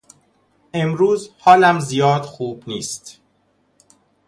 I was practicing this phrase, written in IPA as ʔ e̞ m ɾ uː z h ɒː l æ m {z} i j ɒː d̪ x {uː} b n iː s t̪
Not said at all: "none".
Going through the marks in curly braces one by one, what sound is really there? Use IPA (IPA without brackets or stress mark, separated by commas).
z, uː